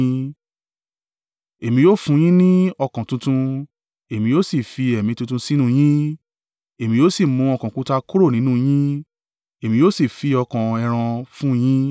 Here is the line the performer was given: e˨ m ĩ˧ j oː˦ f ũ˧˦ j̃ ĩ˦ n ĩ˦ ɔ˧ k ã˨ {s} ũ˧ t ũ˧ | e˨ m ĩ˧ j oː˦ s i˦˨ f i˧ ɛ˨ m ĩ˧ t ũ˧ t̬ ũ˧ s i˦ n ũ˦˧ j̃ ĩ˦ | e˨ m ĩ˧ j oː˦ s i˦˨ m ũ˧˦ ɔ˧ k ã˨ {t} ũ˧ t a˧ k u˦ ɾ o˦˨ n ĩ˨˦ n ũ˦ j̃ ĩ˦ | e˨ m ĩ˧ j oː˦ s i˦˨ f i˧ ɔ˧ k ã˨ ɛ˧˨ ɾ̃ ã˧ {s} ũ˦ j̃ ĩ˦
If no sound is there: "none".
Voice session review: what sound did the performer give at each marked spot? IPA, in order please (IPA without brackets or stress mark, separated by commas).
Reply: t, k, f